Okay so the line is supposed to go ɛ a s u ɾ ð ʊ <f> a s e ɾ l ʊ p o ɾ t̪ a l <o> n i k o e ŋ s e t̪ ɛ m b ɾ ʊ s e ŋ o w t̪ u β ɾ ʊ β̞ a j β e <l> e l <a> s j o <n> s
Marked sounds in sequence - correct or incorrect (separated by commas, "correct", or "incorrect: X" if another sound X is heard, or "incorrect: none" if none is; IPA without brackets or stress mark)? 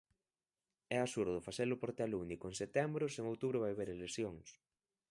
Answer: correct, incorrect: u, incorrect: ɾ, incorrect: e, incorrect: ŋ